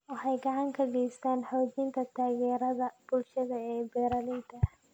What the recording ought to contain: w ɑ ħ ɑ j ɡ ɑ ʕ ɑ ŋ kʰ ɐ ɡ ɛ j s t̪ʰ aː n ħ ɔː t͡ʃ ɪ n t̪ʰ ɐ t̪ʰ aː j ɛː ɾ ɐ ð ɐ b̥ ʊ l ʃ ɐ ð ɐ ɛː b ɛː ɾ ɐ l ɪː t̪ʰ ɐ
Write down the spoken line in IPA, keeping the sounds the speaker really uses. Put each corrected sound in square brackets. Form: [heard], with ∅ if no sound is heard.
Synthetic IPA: w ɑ ħ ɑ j ɡ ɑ ʕ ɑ ŋ kʰ ɐ ɡ ɛ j s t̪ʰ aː n ħ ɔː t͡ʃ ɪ n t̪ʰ ɐ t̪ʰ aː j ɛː ɾ ɐ ð ɐ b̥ ʊ l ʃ ɐ ð ɐ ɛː b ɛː ɾ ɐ l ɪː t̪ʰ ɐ